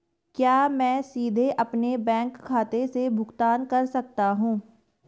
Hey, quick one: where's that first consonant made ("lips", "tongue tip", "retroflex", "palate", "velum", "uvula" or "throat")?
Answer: velum